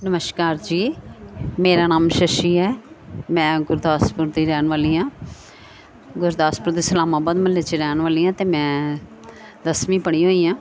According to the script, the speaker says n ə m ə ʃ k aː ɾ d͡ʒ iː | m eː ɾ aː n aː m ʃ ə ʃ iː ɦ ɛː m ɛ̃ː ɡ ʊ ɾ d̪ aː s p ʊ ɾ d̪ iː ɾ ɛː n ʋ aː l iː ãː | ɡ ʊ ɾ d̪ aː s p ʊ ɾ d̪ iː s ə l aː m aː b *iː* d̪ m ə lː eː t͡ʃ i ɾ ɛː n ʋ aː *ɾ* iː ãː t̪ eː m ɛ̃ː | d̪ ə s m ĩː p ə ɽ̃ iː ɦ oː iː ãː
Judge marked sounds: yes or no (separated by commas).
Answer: no, no